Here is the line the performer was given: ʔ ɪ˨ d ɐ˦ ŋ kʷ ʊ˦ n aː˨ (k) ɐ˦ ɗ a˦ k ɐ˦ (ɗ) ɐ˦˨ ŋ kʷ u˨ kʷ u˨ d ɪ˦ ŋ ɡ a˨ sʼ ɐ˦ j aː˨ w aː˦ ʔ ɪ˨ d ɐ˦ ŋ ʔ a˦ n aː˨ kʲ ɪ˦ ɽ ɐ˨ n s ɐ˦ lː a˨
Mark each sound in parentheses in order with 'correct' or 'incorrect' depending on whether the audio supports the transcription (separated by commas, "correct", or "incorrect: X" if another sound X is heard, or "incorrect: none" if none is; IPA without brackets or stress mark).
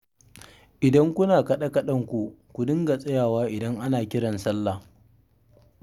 correct, correct